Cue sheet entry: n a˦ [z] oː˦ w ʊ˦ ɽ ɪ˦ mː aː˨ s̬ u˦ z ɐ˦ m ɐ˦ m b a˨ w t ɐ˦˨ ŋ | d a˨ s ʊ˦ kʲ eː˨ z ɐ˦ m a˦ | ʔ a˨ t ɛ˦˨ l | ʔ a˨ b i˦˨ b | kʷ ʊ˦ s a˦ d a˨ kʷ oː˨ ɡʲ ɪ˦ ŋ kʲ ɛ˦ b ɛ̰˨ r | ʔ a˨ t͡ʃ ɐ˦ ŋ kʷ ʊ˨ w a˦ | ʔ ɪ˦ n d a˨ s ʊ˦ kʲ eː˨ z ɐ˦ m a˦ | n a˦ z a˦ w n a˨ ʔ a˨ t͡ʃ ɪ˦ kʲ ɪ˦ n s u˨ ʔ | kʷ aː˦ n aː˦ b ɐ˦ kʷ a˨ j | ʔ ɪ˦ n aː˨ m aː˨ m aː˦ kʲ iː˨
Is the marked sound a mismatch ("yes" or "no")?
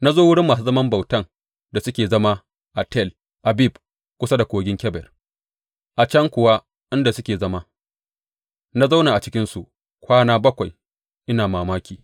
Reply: no